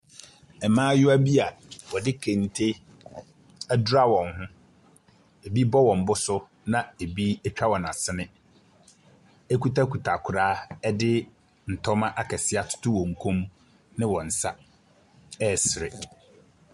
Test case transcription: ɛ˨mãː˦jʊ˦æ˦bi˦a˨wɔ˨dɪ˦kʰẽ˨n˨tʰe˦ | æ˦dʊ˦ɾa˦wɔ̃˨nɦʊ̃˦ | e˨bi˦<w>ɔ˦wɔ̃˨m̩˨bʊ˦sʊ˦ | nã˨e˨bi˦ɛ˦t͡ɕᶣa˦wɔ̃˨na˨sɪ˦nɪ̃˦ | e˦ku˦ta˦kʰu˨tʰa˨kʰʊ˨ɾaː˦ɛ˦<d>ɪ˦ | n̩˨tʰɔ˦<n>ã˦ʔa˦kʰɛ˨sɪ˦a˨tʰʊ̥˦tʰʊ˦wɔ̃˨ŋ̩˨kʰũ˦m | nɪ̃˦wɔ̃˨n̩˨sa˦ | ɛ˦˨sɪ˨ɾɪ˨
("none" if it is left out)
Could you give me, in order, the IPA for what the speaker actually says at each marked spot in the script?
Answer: b, d, m

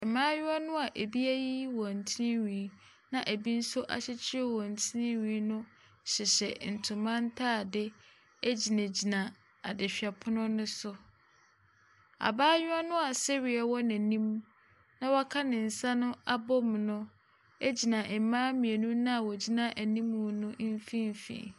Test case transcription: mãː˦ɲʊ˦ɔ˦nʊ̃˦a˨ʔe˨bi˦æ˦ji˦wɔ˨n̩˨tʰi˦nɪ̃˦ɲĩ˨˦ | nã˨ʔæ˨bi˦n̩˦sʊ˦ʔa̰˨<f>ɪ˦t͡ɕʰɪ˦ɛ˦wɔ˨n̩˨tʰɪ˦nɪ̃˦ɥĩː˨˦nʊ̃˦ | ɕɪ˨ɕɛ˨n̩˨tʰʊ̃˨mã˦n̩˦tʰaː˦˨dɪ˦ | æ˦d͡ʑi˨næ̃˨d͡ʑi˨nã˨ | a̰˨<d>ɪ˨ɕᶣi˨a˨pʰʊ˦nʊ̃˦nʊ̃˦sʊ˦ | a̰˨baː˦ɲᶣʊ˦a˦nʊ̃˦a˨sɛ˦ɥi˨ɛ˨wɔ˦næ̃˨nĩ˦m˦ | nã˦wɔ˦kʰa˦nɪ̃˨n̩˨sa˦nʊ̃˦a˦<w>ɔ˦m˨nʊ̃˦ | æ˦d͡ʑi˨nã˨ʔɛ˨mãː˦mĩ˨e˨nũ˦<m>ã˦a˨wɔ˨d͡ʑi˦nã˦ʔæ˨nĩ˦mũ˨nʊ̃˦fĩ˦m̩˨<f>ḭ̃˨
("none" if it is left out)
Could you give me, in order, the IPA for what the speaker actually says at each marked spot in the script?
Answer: ɕ, d, b, n, f

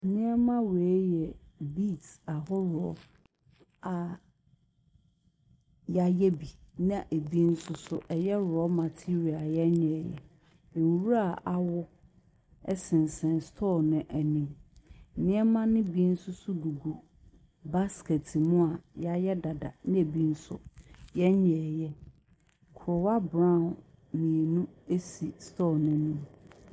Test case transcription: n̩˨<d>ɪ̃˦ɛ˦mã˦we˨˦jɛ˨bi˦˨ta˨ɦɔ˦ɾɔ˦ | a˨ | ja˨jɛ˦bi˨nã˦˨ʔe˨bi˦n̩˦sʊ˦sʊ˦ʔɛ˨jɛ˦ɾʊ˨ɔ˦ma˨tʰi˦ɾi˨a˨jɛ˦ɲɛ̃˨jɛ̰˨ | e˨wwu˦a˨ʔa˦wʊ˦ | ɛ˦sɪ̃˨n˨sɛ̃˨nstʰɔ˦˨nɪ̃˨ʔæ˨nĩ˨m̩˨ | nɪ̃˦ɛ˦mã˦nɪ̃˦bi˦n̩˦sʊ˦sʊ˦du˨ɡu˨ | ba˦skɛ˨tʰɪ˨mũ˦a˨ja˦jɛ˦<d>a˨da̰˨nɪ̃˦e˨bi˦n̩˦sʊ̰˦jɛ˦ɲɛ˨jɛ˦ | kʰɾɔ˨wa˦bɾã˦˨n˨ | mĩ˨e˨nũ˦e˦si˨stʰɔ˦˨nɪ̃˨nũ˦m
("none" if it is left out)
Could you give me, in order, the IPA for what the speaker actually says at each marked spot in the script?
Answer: n, d

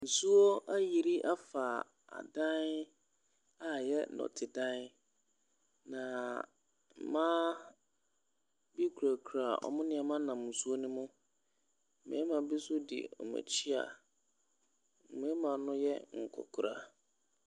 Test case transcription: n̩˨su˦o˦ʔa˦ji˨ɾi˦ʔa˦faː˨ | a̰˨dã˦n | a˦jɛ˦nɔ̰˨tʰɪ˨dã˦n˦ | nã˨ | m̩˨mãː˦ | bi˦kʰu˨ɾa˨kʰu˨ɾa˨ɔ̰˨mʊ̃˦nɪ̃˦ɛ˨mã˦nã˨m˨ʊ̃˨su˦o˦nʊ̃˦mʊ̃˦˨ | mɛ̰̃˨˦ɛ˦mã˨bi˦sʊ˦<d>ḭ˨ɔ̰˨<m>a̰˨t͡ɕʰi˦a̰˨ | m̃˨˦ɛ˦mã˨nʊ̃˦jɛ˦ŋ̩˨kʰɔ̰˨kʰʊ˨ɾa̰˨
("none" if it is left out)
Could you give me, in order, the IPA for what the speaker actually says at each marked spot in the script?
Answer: d, m

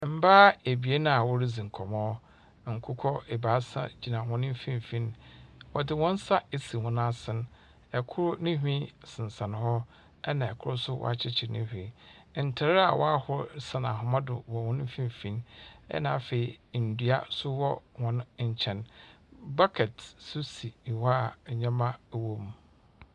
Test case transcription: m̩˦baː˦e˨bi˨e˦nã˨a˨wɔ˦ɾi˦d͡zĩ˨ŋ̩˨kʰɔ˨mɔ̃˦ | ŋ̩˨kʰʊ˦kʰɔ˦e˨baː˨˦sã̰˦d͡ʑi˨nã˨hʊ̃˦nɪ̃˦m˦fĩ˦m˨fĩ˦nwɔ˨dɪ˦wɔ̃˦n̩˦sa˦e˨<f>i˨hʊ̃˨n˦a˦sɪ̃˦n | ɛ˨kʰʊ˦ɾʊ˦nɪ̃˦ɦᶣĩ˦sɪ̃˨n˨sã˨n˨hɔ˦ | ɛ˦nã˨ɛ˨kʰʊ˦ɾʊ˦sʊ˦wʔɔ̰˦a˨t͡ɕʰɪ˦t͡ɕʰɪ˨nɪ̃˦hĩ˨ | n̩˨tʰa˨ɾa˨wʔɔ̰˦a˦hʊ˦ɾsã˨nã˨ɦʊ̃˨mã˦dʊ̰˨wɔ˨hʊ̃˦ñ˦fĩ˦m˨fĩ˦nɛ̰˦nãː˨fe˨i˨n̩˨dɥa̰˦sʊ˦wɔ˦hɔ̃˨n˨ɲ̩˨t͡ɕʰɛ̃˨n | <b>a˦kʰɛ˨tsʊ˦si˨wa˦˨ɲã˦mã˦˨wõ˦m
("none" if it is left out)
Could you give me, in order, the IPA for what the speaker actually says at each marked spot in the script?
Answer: s, b

